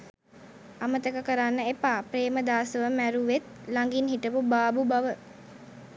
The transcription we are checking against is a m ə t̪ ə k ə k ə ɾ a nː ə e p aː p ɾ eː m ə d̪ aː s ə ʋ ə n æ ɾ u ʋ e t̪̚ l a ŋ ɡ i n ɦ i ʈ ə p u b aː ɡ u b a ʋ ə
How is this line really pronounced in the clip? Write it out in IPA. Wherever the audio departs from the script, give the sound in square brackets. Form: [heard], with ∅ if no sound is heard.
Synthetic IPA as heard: a m ə t̪ ə k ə k ə ɾ a nː ə e p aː p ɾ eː m ə d̪ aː s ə ʋ ə [m] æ ɾ u ʋ e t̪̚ l a ŋ ɡ i n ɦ i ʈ ə p u b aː [b] u b a ʋ ə

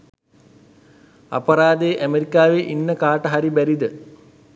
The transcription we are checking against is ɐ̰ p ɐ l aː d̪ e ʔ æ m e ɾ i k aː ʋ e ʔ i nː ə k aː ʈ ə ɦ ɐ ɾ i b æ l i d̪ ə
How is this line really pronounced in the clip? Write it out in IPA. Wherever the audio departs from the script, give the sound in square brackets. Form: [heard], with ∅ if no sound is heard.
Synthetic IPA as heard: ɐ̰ p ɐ [ɾ] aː d̪ e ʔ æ m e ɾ i k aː ʋ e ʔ i nː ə k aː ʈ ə ɦ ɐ ɾ i b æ [ɾ] i d̪ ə

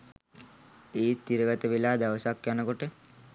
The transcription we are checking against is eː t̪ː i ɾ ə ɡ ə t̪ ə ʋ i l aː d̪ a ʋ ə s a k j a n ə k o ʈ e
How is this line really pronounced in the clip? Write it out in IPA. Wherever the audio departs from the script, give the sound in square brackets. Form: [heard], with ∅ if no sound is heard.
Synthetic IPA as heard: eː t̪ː i ɾ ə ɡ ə t̪ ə ʋ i l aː d̪ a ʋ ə s a k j a n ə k o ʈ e

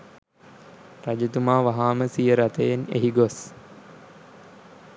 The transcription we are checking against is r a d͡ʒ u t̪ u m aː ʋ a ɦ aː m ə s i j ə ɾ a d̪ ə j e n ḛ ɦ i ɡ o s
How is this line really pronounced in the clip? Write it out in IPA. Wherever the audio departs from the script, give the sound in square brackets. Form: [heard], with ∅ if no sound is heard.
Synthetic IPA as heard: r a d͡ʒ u t̪ u m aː ʋ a ɦ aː m ə s i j ə ɾ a [t̪] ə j e n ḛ ɦ i ɡ o s

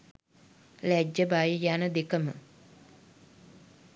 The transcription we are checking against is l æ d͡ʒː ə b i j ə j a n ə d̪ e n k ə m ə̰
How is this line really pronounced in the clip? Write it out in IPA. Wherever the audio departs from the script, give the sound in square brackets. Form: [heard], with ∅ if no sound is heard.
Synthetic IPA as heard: l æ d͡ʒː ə b [a] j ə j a n ə d̪ e [∅] k ə m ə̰

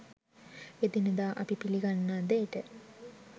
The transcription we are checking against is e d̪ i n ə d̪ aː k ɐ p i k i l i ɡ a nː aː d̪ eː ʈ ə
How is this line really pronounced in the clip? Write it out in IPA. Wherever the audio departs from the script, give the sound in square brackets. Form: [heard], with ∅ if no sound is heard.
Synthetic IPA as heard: e d̪ i n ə d̪ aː [ʔ] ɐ p i [p] i l i ɡ a nː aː d̪ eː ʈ ə

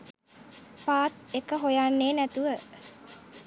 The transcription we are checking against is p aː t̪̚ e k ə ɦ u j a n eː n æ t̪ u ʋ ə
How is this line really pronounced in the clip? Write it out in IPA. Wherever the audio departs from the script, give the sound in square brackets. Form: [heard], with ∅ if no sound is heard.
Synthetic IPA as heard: p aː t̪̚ e k ə ɦ [o] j a [nː] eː n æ t̪ u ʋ ə

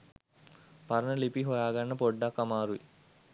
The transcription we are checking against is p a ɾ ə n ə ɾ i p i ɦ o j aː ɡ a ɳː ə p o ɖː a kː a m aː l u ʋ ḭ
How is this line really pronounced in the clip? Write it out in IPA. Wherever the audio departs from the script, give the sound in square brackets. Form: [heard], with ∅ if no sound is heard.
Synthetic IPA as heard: p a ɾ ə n ə [l] i p i ɦ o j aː ɡ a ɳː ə p o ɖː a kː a m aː [ɾ] u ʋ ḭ

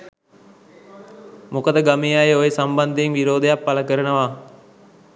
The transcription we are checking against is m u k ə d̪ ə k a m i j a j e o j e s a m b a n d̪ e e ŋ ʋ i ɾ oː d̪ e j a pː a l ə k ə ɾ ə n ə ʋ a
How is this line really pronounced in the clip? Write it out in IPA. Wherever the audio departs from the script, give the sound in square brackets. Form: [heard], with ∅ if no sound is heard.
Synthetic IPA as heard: m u k ə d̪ ə [ɡ] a m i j a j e o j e s a m b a n d̪ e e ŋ ʋ i ɾ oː d̪ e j a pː a l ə k ə ɾ ə n ə ʋ a

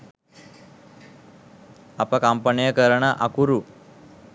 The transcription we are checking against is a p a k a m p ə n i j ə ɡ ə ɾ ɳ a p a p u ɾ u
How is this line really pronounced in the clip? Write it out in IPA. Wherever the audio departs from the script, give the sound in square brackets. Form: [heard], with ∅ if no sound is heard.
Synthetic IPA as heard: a p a k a m p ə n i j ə [k] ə ɾ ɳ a [ʔ] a [k] u ɾ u

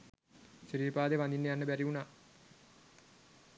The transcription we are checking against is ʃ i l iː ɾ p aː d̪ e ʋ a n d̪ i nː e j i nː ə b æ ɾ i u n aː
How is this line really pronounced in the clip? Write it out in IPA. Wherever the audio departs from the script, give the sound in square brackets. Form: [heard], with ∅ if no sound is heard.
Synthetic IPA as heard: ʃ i [ɾ] iː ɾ p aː d̪ e ʋ a n d̪ i nː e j [a] nː ə b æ ɾ i u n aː

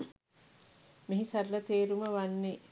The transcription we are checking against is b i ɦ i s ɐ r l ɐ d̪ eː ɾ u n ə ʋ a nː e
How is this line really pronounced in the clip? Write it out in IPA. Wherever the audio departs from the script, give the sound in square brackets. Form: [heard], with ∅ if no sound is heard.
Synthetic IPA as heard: [m] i ɦ i s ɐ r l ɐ [t̪] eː ɾ u [m] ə ʋ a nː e

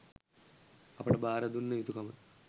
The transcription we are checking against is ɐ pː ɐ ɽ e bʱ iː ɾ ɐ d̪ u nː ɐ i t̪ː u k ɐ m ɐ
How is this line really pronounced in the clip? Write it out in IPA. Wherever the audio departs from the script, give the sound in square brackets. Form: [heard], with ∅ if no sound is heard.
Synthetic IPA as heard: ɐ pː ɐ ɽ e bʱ [aː] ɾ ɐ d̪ u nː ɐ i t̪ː u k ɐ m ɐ

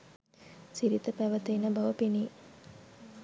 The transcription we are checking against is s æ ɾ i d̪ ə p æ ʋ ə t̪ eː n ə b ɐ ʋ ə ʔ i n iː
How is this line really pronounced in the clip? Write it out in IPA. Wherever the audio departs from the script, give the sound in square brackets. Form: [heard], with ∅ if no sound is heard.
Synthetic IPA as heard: s [i] ɾ i [t̪] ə p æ ʋ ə t̪ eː n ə b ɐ ʋ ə [p] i n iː

